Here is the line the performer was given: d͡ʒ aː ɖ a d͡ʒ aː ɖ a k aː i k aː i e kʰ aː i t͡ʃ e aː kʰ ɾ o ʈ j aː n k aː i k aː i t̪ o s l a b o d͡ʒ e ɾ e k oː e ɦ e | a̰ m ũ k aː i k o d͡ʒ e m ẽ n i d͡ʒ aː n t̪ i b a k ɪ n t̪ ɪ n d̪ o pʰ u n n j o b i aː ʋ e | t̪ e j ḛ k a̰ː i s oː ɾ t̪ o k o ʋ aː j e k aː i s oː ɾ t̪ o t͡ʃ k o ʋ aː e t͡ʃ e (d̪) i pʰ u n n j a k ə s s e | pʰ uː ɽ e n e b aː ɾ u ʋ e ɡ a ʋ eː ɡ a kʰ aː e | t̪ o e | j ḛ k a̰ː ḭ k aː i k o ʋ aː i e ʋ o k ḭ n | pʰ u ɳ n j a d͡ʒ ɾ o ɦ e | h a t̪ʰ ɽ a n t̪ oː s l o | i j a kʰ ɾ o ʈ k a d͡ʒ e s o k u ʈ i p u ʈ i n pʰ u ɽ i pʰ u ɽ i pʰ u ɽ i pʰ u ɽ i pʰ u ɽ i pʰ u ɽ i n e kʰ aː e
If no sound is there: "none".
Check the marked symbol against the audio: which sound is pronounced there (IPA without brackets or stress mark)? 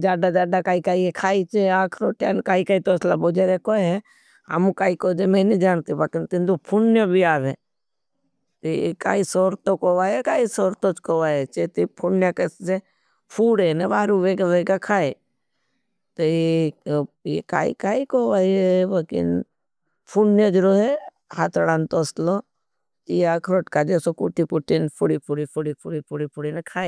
t̪